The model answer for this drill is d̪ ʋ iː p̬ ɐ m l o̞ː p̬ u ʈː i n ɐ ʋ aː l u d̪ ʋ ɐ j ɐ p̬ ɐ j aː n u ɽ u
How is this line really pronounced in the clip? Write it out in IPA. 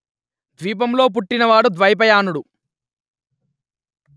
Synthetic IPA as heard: d̪ ʋ iː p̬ ɐ m l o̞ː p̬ u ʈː i n ɐ ʋ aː ɽ u d̪ ʋ ɐ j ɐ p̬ ɐ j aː n u ɽ u